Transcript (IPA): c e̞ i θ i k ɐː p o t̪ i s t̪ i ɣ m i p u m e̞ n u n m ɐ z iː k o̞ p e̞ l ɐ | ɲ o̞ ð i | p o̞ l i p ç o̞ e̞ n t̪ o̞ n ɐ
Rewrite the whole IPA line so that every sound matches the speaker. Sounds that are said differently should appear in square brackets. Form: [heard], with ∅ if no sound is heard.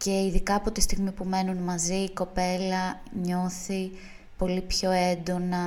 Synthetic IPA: c e̞ i [ð] i k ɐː p o t̪ i s t̪ i ɣ m i p u m e̞ n u n m ɐ z iː k o̞ p e̞ l ɐ | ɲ o̞ [θ] i | p o̞ l i p ç o̞ e̞ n [d̪] o̞ n ɐ